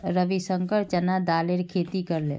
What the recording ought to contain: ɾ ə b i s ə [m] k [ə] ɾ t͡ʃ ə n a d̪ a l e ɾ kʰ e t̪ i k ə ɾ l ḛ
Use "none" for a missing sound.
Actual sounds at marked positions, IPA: ŋ, ə

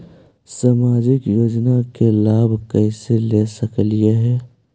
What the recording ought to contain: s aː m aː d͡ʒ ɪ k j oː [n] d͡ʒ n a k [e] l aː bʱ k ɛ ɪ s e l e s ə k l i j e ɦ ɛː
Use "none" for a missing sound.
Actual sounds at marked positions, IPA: none, e

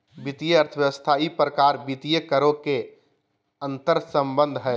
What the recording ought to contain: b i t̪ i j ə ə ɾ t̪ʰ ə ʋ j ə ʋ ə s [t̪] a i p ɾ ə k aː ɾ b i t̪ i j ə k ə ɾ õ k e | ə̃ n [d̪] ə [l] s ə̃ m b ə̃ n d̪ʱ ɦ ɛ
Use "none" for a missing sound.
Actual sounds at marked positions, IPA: t̪ʰ, t̪, ɾ

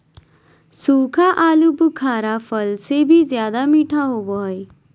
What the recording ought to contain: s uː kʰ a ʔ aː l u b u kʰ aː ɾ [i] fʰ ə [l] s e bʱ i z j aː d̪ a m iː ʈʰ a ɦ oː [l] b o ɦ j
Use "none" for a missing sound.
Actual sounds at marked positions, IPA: a, l, none

